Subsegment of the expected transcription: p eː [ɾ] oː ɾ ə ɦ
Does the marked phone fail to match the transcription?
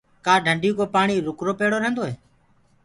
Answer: yes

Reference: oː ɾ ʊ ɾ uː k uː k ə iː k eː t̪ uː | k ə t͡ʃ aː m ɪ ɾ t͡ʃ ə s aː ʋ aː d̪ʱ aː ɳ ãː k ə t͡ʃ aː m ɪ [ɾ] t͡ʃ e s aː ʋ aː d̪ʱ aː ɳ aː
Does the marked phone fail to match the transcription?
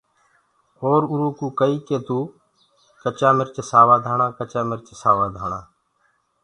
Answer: no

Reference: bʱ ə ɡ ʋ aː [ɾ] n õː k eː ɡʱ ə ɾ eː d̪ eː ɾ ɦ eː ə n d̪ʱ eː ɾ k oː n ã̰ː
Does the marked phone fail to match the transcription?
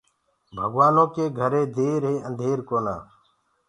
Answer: yes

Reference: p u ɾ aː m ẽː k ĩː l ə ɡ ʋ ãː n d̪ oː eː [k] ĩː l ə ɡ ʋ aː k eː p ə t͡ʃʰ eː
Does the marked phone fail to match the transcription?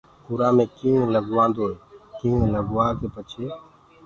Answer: no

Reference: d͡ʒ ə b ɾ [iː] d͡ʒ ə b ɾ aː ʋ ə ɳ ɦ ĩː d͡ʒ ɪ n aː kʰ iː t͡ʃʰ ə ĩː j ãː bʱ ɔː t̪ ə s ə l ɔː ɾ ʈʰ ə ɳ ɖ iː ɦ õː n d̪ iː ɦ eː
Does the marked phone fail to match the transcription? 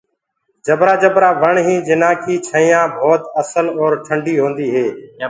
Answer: yes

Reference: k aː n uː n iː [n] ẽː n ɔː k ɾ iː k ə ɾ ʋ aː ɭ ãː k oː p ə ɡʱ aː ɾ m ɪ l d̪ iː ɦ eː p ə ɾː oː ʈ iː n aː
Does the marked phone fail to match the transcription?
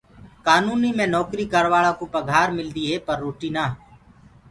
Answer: yes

